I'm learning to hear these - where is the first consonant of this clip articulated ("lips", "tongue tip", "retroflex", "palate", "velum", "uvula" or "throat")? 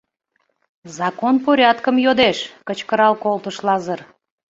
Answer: tongue tip